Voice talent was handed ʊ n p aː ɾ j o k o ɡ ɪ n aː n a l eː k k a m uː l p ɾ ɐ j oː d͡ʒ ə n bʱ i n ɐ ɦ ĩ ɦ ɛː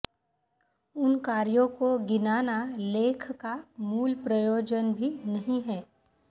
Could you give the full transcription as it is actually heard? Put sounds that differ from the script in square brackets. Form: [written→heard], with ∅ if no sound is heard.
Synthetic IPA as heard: ʊ n [p→k] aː ɾ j [o→õ] k o ɡ ɪ n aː n a l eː [k→kʰ] k a m uː l p ɾ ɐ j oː d͡ʒ ə n bʱ i n ɐ ɦ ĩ ɦ ɛː